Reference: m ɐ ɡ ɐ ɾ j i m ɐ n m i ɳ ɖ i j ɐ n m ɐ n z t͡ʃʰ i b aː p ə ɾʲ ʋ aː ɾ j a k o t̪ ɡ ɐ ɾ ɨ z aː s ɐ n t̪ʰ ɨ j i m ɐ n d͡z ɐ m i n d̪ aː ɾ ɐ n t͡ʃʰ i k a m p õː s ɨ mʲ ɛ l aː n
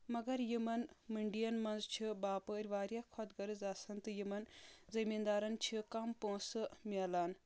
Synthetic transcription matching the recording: m ɐ ɡ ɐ ɾ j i m ɐ n m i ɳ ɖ i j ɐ n m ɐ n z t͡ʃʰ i b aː p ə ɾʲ ʋ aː ɾ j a kʰ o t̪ ɡ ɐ ɾ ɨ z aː s ɐ n t̪ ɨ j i m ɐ n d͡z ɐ m i n d̪ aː ɾ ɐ n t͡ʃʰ i k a m p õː s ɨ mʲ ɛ l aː n